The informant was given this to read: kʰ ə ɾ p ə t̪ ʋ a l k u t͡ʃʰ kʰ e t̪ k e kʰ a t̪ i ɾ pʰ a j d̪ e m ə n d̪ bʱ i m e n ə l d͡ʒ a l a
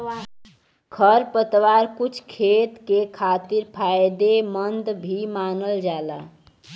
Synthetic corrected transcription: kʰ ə ɾ p ə t̪ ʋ a ɾ k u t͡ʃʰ kʰ e t̪ k e kʰ a t̪ i ɾ pʰ a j d̪ e m ə n d̪ bʱ i m a n ə l d͡ʒ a l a

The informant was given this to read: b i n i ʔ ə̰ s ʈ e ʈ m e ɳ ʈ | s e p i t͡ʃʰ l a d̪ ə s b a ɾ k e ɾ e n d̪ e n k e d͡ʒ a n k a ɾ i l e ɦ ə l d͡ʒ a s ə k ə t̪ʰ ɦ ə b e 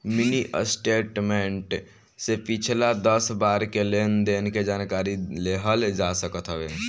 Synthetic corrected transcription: m i n i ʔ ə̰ s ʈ e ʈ m e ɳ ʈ | s e p i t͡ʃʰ l a d̪ ə s b a ɾ k e l e n d̪ e n k e d͡ʒ a n k a ɾ i l e ɦ ə l d͡ʒ a s ə k ə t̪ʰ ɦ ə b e

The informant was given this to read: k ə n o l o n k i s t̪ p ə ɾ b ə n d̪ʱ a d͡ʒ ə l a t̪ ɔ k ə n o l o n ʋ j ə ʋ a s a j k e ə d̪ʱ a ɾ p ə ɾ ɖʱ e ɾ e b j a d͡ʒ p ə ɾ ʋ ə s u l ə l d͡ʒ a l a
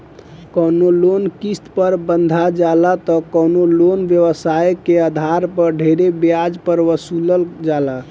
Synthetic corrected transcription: k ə n o l o n k i s t̪ p ə ɾ b ə n d̪ʱ a d͡ʒ a l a t̪ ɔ k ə n o l o n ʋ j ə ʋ ə s a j k e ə d̪ʱ a ɾ p ə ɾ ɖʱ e ɾ e b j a d͡ʒ p ə ɾ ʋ ə s u l ə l d͡ʒ a l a

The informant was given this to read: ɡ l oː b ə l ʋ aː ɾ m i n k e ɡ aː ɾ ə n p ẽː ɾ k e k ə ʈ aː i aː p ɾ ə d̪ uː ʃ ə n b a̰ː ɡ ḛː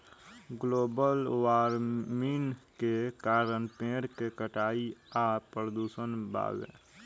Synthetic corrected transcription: ɡ l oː b ə l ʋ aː ɾ m i n k e k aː ɾ ə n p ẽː ɾ k e k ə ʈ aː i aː p ɾ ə d̪ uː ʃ ə n b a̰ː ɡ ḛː

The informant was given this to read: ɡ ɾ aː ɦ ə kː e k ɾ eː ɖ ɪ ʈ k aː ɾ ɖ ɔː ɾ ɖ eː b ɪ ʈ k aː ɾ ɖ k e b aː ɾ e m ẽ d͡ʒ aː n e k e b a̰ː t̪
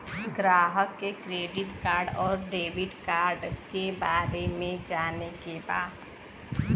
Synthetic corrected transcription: ɡ ɾ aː ɦ ə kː e k ɾ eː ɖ ɪ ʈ k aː ɾ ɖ ɔː ɾ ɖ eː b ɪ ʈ k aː ɾ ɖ k e b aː ɾ e m ẽ d͡ʒ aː n e k e b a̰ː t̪

